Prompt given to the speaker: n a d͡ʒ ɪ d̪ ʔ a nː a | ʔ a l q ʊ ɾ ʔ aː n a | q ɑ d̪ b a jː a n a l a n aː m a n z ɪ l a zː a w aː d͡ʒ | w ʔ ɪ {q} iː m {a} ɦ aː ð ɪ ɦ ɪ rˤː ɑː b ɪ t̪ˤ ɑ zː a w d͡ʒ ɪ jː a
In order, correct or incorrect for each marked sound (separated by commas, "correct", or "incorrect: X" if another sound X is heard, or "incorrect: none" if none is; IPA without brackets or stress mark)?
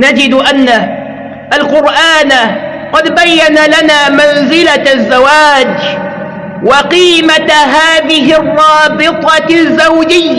correct, correct